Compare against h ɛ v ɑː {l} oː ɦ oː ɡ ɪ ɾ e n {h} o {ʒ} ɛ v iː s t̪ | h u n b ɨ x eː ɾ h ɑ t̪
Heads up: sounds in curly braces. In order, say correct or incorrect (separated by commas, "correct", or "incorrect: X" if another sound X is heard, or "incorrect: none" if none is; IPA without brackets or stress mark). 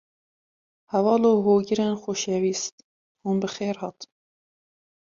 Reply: correct, incorrect: x, incorrect: ʃ